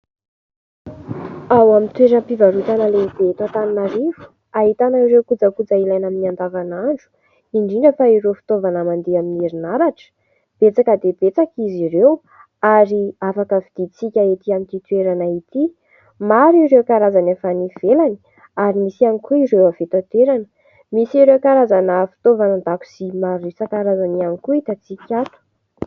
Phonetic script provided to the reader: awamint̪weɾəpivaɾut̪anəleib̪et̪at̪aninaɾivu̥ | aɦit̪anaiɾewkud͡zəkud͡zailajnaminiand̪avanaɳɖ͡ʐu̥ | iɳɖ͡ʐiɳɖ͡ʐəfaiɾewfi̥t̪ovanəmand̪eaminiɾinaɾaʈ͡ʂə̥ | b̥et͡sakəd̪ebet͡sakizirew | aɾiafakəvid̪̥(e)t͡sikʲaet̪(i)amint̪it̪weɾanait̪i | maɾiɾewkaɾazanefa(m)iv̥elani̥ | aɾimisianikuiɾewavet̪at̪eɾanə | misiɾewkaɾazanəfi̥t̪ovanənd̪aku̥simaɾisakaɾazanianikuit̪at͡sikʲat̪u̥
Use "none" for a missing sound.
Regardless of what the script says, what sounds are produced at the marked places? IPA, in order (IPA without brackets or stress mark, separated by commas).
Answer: i, i, n